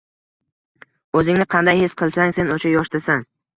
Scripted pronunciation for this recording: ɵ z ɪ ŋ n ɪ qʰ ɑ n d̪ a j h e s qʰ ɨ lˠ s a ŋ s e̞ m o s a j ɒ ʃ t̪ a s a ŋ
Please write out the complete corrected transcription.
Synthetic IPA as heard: ɵ z ɪ ŋ n ɪ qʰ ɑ n d̪ a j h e s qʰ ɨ lˠ s a ŋ s e̞ n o ʃ a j ɒ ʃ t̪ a s a ŋ

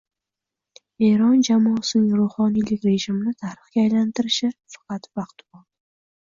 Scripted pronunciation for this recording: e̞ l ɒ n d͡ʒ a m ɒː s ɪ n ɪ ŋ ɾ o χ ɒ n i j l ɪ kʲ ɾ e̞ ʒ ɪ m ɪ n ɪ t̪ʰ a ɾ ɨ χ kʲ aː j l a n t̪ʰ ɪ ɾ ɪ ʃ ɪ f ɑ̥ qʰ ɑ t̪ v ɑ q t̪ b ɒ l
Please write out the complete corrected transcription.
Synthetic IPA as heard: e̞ ɾ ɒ n d͡ʒ a m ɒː s ɪ n ɪ ŋ ɾ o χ ɒ n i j l ɪ kʲ ɾ e̞ ʒ ɪ m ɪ n ɪ t̪ʰ a ɾ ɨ χ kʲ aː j l a n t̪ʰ ɪ ɾ ɪ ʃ ɪ f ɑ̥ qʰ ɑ t̪ v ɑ q t̪ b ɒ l

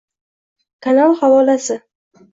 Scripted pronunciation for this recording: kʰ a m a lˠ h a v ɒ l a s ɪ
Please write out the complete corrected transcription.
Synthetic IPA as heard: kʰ a n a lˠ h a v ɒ l a s ɪ

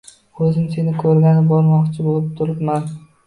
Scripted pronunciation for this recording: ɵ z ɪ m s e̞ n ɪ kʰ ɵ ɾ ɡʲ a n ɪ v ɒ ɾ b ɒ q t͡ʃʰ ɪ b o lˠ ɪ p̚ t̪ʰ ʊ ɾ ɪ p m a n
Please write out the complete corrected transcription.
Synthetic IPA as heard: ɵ z ɪ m s e̞ n ɪ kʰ ɵ ɾ ɡʲ a n ɪ b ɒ ɾ m ɒ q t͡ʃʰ ɪ b o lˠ ɪ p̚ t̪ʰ ʊ ɾ ɪ p m a n

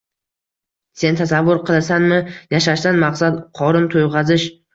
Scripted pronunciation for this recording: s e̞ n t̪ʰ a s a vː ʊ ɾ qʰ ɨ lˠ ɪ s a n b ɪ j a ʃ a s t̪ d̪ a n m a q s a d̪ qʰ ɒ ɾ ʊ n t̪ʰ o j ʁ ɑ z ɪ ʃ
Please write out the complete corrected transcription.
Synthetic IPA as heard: s e̞ n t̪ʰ a s a vː ʊ ɾ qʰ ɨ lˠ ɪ s a n m ɪ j a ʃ a ʃ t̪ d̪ a n m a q s a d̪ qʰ ɒ ɾ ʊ n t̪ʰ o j ʁ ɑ z ɪ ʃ

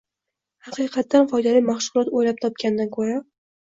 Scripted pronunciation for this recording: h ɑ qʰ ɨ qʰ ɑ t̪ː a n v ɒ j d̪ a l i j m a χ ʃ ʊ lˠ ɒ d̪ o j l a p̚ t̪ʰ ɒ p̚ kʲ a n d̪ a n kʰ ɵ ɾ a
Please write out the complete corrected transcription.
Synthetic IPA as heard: h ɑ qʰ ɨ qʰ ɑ t̪ː a n f ɒ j d̪ a l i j m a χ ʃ ʊ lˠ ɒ t̪ o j l a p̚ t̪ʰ ɒ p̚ kʲ a n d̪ a n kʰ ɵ ɾ a

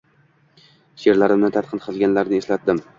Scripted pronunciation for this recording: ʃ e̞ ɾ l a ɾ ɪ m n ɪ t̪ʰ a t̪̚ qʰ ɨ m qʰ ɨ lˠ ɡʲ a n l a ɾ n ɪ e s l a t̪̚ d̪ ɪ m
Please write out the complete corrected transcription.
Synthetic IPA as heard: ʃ e̞ ɾ l a ɾ ɪ m n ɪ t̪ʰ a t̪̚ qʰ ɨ n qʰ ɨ lˠ ɡʲ a n l a ɾ n ɪ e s l a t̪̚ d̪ ɪ m

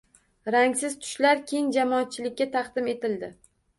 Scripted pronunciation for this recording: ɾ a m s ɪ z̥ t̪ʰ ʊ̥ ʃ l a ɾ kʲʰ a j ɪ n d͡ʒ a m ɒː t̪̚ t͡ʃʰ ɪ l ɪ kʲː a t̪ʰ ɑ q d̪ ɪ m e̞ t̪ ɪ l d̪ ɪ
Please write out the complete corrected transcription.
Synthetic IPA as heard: ɾ a ŋ s ɪ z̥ t̪ʰ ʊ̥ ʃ l a ɾ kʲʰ e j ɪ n d͡ʒ a m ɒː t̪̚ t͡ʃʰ ɪ l ɪ kʲː a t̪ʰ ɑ q d̪ ɪ m e̞ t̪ ɪ l d̪ ɪ

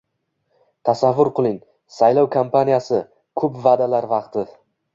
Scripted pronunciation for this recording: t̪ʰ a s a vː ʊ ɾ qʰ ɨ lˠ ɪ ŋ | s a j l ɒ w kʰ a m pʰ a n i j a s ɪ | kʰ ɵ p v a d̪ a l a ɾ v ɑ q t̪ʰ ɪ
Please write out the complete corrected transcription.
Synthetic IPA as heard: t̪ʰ a s a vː ʊ ɾ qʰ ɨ lˠ ɪ ŋ | s a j l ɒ w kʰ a m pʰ a n i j a s ɪ | kʰ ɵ p v a d̪ a l a ɾ v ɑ q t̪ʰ ɪ

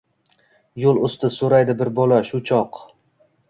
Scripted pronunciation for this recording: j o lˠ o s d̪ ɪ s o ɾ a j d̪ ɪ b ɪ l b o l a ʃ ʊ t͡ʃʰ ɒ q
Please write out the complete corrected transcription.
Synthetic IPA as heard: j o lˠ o s t̪ ɪ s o ɾ a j d̪ ɪ b ɪ ɾ b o l a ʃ ʊ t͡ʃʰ ɒ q

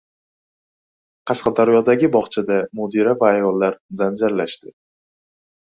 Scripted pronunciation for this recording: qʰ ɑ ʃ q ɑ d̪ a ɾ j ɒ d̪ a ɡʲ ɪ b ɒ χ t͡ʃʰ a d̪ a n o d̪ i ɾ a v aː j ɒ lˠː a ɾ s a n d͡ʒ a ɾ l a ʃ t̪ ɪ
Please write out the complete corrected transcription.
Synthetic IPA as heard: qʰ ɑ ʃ q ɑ d̪ a ɾ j ɒ d̪ a ɡʲ ɪ b ɒ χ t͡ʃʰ a d̪ a m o d̪ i ɾ a v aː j ɒ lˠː a ɾ z a n d͡ʒ a ɾ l a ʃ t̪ ɪ

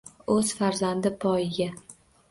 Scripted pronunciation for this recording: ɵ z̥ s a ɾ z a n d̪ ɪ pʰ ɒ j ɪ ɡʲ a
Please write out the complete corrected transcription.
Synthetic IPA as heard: ɵ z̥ f a ɾ z a n d̪ ɪ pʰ ɒ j ɪ ɡʲ a

